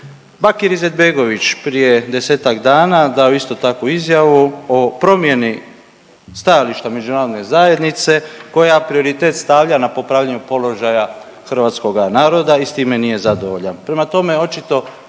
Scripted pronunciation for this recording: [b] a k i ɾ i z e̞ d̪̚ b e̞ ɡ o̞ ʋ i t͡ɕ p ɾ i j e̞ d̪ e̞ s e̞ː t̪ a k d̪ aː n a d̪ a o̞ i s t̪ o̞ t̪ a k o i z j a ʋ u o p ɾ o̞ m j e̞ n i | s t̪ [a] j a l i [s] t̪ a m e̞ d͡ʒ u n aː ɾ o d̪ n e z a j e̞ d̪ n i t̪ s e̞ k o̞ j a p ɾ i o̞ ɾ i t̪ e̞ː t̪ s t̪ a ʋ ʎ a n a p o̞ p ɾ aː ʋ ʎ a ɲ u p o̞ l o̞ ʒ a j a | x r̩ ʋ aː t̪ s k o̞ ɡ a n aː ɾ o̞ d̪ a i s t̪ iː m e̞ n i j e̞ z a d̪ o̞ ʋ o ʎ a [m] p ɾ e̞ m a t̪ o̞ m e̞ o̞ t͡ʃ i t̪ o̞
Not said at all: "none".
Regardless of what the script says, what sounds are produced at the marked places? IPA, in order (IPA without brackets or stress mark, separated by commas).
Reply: b, a, ʃ, n